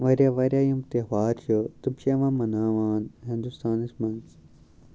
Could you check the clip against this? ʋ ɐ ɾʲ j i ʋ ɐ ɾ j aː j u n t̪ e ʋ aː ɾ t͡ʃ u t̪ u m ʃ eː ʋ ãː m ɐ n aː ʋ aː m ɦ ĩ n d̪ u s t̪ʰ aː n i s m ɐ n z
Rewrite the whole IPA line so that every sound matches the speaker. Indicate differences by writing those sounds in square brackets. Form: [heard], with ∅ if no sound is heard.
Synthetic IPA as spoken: ʋ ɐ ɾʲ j [a] ʋ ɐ ɾ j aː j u [m] t̪ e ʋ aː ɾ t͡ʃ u t̪ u m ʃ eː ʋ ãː m ɐ n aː ʋ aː [n] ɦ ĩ n d̪ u s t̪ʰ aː n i s m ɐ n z